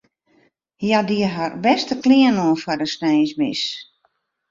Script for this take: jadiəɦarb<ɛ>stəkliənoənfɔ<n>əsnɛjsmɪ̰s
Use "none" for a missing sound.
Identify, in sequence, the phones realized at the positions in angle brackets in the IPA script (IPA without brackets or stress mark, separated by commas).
ɛ, d